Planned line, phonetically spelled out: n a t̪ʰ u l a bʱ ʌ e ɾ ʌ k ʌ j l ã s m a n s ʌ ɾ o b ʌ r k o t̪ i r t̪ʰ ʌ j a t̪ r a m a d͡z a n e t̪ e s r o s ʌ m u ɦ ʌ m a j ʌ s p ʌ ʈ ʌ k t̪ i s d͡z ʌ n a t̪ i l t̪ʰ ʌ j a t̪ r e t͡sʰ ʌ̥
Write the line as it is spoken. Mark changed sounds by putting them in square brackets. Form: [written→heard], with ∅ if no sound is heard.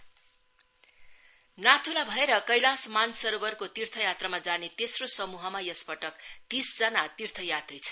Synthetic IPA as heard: n a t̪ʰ u l a bʱ ʌ e ɾ ʌ k ʌ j l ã s m a n s ʌ ɾ o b ʌ r k o t̪ i r t̪ʰ ʌ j a t̪ r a m a d͡z a n e t̪ e s r o s ʌ m u ɦ ʌ m a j ʌ s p ʌ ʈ ʌ k t̪ i s d͡z ʌ n a t̪ i [l→r] t̪ʰ ʌ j a t̪ r [e→i] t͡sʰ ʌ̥